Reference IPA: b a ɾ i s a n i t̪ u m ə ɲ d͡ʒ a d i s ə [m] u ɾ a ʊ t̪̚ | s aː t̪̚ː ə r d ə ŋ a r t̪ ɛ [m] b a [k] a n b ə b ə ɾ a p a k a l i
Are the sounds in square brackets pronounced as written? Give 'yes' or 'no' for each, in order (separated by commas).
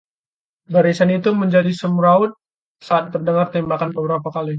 yes, yes, yes